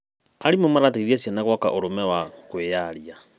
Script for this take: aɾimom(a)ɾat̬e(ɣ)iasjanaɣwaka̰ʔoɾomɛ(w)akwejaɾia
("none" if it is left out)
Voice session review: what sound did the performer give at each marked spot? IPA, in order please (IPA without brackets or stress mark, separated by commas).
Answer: a, ð, w